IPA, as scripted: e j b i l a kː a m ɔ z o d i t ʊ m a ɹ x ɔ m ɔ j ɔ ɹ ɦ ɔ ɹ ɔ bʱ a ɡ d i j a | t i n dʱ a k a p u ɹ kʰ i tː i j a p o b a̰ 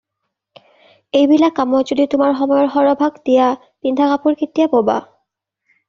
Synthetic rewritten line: e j b i l a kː a m ɔ z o d i t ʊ m a ɹ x ɔ m ɔ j ɔ ɹ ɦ ɔ ɹ ɔ bʱ a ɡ d i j a | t i n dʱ a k a p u ɹ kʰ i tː i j a p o b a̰